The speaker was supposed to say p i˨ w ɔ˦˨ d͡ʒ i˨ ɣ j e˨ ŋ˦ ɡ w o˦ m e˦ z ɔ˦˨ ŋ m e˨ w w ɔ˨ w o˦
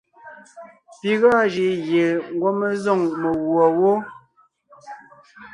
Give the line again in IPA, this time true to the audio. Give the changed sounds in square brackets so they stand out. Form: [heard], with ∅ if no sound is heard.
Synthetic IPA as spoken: p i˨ [ɣ] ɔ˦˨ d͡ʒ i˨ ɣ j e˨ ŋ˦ ɡ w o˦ m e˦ z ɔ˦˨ ŋ m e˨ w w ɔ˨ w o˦